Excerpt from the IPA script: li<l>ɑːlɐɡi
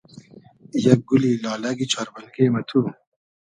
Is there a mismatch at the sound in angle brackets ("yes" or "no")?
no